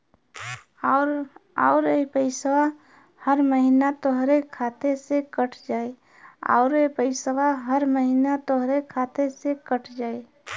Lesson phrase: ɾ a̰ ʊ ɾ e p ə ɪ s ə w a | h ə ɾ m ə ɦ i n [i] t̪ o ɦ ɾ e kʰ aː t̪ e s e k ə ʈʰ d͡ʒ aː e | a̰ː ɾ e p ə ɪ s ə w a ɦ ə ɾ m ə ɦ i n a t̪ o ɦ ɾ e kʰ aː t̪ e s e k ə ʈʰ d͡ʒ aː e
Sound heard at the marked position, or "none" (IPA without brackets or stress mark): a